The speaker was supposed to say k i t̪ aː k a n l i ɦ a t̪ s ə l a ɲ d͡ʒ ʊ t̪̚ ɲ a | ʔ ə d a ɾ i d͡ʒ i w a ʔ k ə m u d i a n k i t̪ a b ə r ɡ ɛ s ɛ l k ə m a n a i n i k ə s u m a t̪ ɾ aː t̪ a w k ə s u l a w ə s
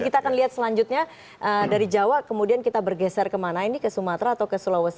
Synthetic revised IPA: k i t̪ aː k a n l i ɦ a t̪ s ə l a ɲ d͡ʒ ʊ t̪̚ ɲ a | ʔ ə d a ɾ i d͡ʒ a w a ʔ k ə m u d i a n k i t̪ a b ə r ɡ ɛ s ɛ r k ə m a n a i n i k ə s u m a t̪ ɾ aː t̪ a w k ə s u l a w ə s